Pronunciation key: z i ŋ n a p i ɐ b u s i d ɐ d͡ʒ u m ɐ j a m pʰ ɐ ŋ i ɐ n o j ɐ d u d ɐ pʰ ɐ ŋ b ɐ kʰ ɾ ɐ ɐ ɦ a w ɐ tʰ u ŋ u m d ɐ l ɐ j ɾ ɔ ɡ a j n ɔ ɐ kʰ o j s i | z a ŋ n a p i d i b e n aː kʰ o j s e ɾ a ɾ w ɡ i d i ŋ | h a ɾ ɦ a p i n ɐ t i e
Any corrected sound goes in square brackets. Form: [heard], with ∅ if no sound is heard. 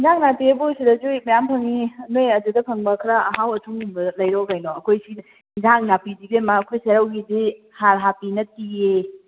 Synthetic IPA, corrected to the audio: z [a] ŋ n a p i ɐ b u s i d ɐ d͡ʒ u m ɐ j a m pʰ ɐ ŋ i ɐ n o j ɐ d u d ɐ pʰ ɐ ŋ b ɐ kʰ ɾ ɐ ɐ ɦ a w ɐ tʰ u ŋ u m [b] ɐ l ɐ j ɾ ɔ ɡ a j n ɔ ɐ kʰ o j s i | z a ŋ n a p i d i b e [m] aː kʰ o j s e ɾ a [∅] w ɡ i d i [∅] | h a ɾ ɦ a p i n ɐ t i e